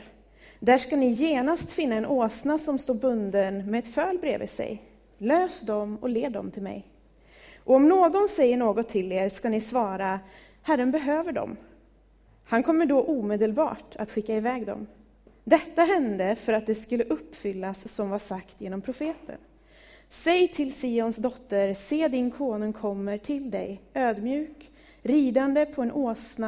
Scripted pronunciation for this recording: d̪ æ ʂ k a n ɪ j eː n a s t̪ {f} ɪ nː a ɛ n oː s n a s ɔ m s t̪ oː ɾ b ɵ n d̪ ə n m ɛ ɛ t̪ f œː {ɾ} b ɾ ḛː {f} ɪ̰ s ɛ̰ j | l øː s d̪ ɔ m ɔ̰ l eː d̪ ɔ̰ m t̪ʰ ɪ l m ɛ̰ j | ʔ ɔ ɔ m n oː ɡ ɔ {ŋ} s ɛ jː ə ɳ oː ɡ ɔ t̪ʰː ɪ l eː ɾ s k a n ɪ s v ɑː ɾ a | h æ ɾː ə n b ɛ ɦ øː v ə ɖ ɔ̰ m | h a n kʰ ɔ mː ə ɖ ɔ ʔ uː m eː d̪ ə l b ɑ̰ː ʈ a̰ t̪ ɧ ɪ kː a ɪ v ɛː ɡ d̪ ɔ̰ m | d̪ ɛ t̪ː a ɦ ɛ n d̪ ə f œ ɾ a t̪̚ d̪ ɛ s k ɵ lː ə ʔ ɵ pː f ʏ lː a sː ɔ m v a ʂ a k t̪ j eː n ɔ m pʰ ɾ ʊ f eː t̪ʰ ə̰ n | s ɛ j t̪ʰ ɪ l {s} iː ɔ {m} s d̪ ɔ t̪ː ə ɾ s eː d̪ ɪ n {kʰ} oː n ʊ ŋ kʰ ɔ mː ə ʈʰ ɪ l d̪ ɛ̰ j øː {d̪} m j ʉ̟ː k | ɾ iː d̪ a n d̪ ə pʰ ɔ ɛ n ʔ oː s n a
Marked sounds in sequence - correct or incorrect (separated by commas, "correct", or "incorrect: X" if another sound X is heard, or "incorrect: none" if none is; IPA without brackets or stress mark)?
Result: correct, incorrect: l, incorrect: v, incorrect: n, correct, incorrect: n, correct, correct